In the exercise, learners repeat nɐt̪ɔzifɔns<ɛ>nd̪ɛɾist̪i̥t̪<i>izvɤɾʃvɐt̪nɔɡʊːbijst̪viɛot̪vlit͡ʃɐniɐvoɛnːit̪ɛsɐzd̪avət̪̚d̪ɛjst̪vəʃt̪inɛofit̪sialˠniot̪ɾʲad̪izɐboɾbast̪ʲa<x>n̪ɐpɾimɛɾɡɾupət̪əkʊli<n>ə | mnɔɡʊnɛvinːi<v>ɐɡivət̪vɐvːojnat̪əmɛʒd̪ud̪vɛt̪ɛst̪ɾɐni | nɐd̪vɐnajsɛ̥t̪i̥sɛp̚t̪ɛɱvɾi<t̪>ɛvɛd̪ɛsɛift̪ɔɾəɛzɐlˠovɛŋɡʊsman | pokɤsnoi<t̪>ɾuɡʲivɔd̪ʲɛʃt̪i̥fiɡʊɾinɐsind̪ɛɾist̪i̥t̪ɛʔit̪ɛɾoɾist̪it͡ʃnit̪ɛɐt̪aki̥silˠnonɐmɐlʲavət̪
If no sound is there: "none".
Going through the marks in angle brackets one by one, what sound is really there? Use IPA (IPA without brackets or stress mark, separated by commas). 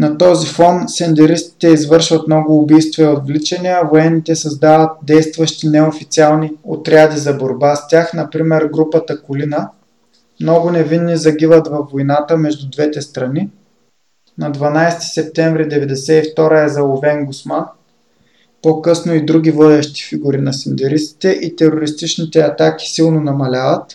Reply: ɛ, ɛ, x, n, z, d̪, d̪